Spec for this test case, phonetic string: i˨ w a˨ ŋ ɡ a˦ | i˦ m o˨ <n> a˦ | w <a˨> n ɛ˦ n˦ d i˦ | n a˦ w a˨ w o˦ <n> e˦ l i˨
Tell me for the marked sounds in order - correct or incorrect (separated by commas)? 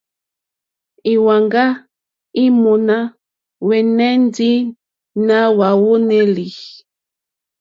correct, incorrect, correct